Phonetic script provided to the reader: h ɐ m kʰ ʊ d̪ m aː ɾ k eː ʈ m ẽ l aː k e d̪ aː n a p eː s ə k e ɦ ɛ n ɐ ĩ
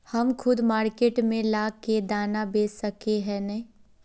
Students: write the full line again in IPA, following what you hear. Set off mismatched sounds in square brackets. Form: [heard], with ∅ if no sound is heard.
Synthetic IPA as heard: h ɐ m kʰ ʊ d̪ m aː ɾ k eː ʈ m ẽ l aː k e d̪ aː n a [b] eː s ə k e ɦ ɛ n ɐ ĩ